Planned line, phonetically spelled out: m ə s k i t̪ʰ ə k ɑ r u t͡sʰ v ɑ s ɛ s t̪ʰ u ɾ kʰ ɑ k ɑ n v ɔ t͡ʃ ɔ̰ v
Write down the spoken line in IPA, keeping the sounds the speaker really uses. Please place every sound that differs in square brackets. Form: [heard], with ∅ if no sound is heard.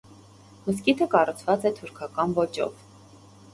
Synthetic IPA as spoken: m ə s k i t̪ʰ ə k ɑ r u t͡sʰ v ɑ [t͡s] ɛ [∅] t̪ʰ u ɾ kʰ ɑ k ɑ n v ɔ t͡ʃ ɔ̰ v